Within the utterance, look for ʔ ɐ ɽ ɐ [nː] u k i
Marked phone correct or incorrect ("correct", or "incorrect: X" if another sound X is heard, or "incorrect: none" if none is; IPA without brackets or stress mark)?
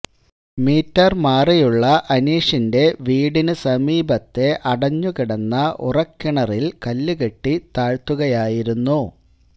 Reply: incorrect: ɲː